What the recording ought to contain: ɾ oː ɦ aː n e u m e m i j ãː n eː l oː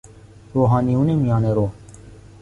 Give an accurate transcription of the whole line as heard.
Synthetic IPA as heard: ɾ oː ɦ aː n i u n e m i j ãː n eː ɾ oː